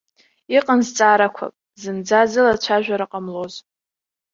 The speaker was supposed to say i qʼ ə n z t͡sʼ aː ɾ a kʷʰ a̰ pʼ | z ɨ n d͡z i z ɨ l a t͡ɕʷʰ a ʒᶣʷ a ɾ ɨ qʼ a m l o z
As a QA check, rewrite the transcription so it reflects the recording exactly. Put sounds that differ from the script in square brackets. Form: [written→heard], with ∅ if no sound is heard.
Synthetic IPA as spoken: i qʼ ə n z t͡sʼ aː ɾ a kʷʰ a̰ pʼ | z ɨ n d͡z [i→a] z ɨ l a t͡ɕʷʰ a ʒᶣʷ a ɾ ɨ qʼ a m l o z